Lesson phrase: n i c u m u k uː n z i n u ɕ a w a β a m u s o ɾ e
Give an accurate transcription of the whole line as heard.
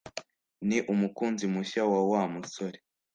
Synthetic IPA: n i ʔ u m u k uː n z i m u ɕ a w a w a m u s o ɾ e